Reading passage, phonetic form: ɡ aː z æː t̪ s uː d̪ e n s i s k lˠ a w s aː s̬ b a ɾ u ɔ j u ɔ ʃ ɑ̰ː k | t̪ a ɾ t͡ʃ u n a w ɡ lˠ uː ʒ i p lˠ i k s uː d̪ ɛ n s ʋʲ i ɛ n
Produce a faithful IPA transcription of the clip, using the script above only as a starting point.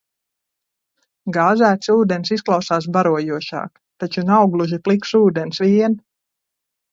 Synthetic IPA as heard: ɡ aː z æː t̪ s uː d̪ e n s i s k lˠ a w s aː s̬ b a ɾ u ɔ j u ɔ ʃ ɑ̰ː k | t̪ a t͡ʃ u n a w ɡ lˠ u ʒ i p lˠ i k s uː d̪ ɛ n s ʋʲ i ɛ n